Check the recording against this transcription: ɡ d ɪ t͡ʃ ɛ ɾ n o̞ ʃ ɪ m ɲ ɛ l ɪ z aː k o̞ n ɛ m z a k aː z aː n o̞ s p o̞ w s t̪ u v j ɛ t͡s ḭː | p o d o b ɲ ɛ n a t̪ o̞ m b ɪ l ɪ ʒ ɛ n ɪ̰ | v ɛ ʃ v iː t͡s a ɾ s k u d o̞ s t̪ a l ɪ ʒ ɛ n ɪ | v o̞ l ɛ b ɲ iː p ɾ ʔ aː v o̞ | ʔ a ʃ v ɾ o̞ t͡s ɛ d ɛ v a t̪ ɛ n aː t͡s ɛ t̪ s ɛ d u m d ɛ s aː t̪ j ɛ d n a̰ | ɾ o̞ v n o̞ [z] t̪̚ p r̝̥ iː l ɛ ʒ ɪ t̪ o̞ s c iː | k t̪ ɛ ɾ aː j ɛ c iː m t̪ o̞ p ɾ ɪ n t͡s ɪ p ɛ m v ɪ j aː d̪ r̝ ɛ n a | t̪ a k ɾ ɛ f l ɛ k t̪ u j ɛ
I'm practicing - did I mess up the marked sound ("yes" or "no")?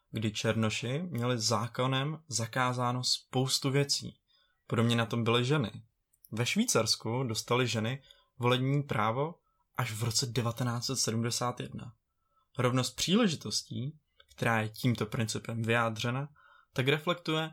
yes